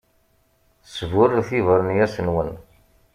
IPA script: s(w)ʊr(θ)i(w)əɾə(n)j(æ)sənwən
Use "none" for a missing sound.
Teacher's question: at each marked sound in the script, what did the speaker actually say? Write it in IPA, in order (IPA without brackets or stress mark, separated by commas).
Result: v, θ, v, n, æ